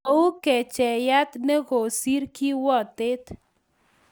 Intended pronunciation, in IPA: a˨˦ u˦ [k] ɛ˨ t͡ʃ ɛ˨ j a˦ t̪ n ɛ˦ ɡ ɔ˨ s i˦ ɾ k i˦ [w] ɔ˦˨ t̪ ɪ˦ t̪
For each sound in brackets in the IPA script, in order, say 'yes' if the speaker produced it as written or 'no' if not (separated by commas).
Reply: yes, yes